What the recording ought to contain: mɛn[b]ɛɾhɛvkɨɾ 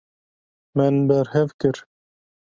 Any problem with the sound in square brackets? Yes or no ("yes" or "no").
no